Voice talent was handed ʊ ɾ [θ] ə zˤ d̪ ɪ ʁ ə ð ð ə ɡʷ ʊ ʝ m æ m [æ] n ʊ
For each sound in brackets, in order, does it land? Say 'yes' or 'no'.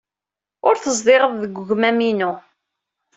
yes, no

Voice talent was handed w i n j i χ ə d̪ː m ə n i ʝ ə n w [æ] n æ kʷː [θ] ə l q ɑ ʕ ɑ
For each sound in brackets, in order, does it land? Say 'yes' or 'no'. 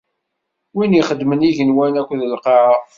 yes, no

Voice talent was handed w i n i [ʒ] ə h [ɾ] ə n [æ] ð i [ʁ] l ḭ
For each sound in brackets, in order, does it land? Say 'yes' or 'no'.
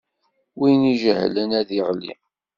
yes, no, yes, yes

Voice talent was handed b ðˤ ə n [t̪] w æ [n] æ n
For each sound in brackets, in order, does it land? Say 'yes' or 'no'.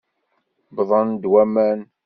no, no

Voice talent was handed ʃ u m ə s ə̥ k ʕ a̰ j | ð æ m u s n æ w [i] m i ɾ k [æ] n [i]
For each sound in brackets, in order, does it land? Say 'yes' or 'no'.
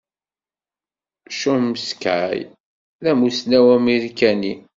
no, yes, yes

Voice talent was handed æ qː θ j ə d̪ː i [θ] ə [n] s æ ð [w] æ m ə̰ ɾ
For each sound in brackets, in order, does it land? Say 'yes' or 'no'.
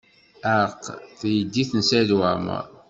yes, yes, yes

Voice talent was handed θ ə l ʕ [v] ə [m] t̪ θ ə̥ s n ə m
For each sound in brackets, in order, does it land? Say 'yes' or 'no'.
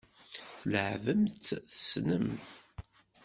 yes, yes

